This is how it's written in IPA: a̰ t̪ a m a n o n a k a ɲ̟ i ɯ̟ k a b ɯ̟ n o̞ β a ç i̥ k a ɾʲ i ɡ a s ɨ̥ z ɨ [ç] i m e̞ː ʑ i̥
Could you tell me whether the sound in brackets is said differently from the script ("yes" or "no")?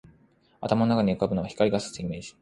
yes